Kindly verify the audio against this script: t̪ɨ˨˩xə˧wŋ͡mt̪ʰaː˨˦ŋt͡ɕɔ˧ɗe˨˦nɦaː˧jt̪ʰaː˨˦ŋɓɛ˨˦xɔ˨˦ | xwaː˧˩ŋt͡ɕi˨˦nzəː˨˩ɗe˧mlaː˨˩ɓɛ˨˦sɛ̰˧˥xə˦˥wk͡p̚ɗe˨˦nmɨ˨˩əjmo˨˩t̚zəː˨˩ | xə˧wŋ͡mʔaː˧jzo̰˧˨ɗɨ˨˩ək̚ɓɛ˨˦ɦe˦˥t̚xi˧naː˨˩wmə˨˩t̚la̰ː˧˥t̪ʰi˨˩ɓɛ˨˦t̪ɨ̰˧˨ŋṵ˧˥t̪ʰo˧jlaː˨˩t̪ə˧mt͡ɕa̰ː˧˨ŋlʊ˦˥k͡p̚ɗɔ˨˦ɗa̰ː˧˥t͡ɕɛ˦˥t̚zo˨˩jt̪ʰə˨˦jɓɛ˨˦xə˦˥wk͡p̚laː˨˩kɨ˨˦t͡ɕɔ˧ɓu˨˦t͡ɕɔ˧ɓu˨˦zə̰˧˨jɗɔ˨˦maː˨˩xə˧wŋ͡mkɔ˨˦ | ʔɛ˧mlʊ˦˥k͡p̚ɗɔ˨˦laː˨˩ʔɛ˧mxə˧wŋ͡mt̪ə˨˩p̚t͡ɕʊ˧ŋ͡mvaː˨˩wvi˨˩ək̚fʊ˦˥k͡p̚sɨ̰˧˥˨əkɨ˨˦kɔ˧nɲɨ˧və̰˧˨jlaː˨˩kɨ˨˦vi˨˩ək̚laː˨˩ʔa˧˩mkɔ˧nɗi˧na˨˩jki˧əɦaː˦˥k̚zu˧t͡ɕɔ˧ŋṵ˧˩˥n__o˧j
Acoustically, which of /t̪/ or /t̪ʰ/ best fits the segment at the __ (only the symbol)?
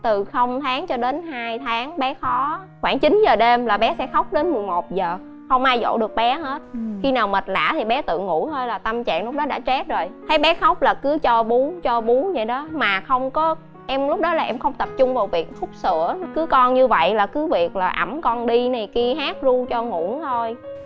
t̪ʰ